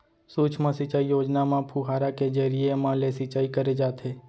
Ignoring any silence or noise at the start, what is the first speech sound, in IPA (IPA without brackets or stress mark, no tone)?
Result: s